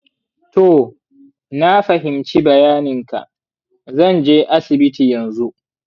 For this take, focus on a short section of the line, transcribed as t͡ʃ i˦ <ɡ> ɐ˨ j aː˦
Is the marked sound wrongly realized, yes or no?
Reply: yes